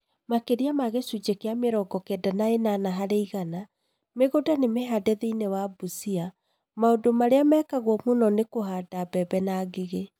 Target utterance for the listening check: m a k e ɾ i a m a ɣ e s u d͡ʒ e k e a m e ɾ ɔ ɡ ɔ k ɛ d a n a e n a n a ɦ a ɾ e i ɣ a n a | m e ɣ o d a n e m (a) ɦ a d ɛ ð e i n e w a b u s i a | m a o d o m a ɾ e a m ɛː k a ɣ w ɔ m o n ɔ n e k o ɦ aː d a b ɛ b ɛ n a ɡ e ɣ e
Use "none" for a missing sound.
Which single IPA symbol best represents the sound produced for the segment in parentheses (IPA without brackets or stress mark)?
e